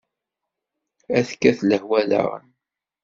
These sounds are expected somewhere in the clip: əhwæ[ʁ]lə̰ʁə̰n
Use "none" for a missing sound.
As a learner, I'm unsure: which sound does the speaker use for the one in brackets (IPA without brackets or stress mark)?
none